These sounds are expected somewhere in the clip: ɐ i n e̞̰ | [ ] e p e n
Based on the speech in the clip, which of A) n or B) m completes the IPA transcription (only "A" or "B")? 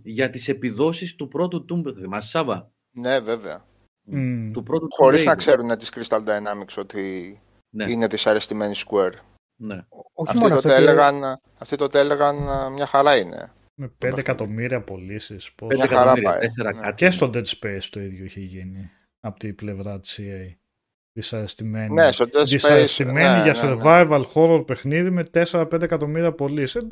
B